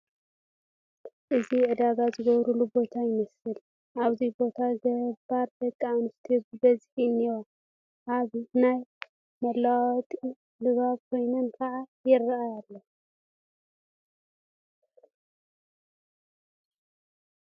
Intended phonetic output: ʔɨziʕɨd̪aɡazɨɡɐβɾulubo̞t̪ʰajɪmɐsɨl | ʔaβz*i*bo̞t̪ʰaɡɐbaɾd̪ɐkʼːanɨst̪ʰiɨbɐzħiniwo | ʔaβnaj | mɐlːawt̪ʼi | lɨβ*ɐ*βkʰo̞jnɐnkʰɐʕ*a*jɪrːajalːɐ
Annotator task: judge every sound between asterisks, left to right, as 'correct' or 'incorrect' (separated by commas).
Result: correct, incorrect, correct